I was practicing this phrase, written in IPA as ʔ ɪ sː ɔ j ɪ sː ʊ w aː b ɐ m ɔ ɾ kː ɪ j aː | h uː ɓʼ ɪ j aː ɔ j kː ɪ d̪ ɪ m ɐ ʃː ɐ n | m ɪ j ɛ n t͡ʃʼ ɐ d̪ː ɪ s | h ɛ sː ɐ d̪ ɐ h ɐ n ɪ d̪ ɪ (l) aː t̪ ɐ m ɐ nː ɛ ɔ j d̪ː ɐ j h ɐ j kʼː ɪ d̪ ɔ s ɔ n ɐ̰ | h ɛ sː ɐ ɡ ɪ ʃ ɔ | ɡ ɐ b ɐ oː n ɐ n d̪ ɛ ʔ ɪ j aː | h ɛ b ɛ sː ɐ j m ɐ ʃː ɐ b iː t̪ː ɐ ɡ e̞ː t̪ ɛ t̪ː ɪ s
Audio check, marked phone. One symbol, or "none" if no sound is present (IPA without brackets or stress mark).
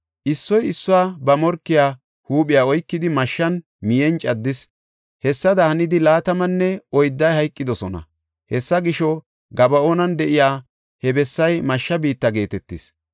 l